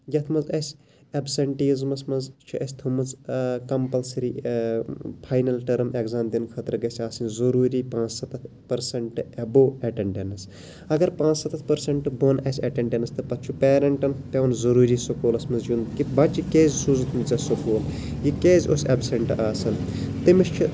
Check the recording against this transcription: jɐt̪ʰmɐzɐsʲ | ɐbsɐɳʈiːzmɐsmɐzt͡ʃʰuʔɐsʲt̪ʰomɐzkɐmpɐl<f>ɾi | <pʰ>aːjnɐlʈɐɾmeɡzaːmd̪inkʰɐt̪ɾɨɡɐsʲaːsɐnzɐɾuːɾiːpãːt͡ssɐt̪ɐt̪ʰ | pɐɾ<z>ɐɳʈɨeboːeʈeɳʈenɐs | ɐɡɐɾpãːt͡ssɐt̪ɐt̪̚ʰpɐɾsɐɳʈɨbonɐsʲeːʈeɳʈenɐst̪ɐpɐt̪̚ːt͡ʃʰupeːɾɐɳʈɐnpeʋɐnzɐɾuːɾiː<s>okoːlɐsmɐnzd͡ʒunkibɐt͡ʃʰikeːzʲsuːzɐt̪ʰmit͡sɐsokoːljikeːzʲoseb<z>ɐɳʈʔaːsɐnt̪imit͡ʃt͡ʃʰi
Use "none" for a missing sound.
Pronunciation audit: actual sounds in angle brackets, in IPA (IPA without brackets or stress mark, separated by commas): s, pʰ, s, s, s